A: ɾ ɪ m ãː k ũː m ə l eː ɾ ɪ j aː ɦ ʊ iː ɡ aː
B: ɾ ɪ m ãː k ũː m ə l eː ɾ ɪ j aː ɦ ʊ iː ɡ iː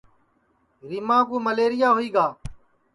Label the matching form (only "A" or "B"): A